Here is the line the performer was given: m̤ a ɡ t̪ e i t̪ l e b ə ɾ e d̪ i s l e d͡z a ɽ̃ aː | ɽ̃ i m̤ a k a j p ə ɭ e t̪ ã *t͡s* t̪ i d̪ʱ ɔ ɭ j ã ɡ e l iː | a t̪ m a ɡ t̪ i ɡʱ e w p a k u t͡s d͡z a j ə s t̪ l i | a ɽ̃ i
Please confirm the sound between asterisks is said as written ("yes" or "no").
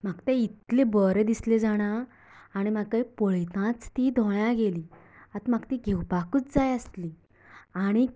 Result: yes